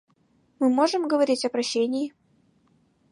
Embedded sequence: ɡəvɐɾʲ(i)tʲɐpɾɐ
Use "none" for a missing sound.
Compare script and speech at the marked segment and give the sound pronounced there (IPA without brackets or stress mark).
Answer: i